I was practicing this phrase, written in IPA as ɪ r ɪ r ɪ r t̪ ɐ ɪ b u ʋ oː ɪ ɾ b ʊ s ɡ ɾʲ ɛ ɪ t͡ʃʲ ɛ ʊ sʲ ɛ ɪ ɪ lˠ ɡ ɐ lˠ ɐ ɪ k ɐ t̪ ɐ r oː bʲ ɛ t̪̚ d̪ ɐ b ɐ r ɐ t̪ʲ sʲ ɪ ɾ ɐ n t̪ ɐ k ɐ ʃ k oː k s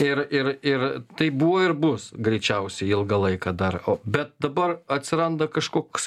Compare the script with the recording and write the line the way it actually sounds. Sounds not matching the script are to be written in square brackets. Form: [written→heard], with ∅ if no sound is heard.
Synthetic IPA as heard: ɪ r ɪ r ɪ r t̪ ɐ ɪ b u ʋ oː ɪ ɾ b ʊ s ɡ ɾʲ ɛ ɪ t͡ʃʲ ɛ ʊ sʲ ɛ ɪ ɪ lˠ ɡ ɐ lˠ ɐ ɪ k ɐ [t̪→d̪] ɐ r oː bʲ ɛ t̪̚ d̪ ɐ b ɐ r ɐ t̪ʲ sʲ ɪ ɾ ɐ n [t̪→d̪] ɐ k ɐ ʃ k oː k s